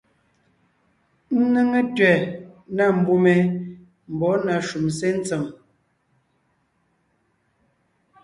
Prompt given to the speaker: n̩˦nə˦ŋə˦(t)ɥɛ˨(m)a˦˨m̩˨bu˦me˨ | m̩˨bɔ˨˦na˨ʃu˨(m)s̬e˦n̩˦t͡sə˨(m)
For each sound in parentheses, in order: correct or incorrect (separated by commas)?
correct, incorrect, correct, correct